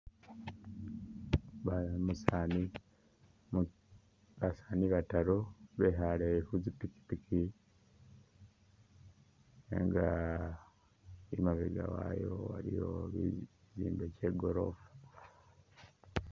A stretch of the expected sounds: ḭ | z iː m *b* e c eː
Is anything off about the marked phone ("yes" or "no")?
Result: no